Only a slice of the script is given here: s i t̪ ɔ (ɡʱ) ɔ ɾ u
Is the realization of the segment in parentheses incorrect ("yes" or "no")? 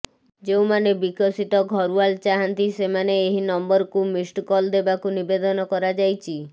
no